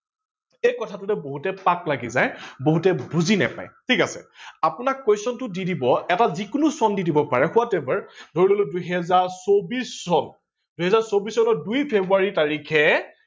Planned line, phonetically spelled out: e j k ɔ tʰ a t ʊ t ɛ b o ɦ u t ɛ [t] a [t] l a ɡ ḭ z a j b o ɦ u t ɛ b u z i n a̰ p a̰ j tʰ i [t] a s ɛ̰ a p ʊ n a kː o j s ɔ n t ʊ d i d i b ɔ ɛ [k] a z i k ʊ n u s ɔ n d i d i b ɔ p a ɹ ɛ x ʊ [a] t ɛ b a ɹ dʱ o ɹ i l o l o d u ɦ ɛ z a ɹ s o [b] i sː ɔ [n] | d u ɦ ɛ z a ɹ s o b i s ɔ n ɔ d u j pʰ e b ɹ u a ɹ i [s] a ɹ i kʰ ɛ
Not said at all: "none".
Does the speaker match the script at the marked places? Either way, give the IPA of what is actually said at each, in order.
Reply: p, k, k, t, a, b, n, t

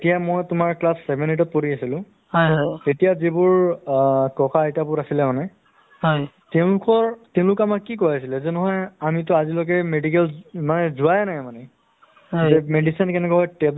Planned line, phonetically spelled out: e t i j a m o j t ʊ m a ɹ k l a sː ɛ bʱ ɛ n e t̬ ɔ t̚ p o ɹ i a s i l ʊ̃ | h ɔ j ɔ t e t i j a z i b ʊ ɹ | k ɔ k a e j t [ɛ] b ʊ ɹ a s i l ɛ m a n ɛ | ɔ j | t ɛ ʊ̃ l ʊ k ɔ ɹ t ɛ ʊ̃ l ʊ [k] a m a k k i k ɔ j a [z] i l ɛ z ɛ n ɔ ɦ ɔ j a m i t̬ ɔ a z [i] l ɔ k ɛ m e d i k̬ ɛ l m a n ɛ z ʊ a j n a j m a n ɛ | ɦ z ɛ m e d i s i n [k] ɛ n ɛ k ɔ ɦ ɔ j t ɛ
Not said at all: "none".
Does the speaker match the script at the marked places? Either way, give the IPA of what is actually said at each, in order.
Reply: a, k, s, i, k

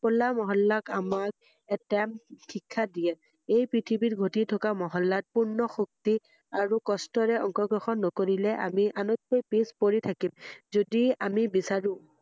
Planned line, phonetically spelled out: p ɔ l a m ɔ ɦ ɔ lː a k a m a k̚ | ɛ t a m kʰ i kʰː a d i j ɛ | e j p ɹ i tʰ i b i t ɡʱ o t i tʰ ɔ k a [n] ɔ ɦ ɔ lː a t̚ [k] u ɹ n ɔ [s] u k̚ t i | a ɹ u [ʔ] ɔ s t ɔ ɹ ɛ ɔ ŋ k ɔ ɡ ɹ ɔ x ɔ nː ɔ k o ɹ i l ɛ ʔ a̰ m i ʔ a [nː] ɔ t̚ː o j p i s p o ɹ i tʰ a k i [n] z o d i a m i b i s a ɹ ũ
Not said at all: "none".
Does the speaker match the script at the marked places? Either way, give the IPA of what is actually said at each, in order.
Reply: m, p, x, k, n, m

